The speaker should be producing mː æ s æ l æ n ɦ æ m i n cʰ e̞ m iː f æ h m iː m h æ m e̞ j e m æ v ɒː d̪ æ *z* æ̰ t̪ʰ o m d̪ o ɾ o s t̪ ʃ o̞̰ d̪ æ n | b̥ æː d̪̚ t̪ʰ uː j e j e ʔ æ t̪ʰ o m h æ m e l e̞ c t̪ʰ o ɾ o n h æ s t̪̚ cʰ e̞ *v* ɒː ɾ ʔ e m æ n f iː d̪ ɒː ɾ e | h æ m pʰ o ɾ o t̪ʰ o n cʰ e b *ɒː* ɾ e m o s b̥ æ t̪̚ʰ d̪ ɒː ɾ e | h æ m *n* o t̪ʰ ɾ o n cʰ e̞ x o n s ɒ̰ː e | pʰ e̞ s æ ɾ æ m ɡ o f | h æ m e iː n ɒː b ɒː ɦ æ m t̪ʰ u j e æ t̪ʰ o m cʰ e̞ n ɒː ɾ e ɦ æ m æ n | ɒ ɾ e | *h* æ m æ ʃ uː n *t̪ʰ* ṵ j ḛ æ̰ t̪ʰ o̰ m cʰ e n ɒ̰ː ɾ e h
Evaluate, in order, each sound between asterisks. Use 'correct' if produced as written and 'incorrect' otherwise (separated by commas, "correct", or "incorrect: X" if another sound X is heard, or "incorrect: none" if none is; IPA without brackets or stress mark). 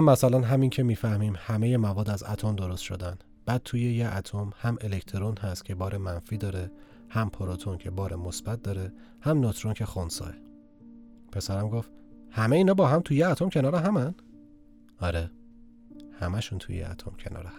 correct, incorrect: b, correct, correct, correct, correct